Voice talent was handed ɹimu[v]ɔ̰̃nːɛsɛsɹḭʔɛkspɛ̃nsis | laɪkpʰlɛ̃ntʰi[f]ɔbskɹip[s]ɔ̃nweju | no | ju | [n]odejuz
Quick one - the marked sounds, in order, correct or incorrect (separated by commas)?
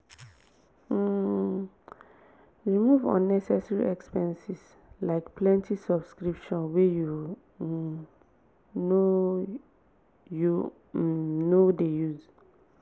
correct, incorrect, incorrect, correct